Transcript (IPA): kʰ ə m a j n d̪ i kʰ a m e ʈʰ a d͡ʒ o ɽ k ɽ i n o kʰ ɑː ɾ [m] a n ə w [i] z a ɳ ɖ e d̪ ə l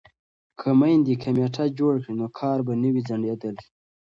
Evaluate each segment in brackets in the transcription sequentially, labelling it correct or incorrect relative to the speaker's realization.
incorrect, correct

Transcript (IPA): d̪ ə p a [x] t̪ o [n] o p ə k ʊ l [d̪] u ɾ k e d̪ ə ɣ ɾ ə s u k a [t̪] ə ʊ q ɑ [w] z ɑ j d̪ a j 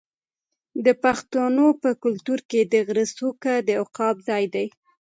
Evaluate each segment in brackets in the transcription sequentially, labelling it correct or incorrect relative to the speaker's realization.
correct, correct, incorrect, incorrect, incorrect

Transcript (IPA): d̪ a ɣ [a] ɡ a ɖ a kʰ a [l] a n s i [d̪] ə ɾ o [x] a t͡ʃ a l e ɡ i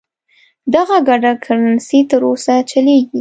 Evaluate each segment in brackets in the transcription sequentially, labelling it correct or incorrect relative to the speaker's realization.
correct, incorrect, incorrect, incorrect

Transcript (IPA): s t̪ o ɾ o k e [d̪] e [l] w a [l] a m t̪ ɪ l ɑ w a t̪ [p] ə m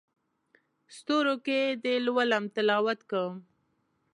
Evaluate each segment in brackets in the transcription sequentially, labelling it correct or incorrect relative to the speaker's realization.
correct, correct, correct, incorrect

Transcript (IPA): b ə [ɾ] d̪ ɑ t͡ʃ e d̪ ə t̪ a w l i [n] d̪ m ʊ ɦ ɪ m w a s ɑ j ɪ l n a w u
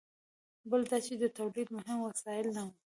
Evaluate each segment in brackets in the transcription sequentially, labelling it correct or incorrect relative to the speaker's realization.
incorrect, incorrect

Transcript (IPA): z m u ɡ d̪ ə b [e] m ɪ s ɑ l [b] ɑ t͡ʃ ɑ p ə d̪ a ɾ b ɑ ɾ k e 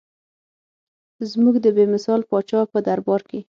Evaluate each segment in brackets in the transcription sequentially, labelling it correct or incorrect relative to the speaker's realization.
correct, incorrect

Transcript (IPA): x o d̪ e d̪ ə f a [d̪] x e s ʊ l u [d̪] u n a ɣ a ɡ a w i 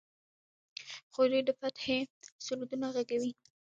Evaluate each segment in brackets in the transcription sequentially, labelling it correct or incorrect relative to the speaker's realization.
incorrect, correct

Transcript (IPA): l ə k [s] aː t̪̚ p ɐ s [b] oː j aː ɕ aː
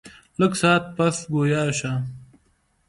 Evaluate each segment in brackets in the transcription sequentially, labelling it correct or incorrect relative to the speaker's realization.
correct, incorrect

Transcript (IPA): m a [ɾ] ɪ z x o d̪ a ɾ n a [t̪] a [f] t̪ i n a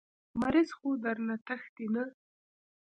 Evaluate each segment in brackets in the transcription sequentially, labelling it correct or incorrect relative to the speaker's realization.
correct, correct, incorrect

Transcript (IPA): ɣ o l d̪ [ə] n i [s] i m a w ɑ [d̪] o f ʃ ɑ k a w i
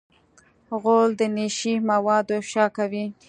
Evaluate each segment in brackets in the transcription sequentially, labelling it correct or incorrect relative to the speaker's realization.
correct, incorrect, correct

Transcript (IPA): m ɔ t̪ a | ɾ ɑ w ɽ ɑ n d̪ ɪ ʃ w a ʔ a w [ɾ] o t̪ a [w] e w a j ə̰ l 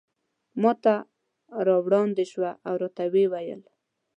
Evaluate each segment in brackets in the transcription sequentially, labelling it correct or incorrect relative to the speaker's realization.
correct, correct

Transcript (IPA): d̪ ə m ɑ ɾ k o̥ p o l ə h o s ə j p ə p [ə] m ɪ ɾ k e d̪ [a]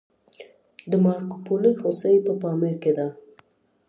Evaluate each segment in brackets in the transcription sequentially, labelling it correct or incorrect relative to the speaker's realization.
incorrect, correct

